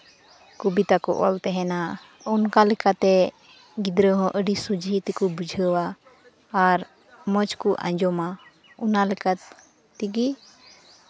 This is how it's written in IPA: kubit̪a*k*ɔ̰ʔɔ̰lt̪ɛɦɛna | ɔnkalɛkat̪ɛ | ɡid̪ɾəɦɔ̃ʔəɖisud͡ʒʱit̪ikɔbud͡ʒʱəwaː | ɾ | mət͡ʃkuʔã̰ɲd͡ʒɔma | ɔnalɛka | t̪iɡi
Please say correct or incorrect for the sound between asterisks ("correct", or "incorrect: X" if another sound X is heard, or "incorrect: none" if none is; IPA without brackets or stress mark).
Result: correct